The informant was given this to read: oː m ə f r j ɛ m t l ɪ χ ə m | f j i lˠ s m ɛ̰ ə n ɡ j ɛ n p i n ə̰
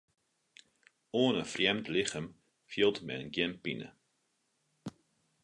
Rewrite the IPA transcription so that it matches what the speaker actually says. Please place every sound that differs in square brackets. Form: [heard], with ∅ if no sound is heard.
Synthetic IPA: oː [n] ə f r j ɛ m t l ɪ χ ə m | f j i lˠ [t] m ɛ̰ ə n ɡ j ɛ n p i n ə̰